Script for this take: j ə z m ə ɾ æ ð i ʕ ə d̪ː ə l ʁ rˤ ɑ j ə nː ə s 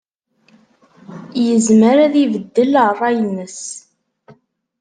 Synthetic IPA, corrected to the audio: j ə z m ə ɾ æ ð i v ə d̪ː ə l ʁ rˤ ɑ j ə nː ə s